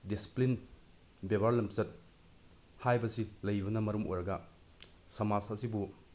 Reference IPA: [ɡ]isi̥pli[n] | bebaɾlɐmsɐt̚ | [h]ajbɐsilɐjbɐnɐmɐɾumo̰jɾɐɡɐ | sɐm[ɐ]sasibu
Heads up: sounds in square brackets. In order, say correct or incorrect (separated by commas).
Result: incorrect, correct, correct, incorrect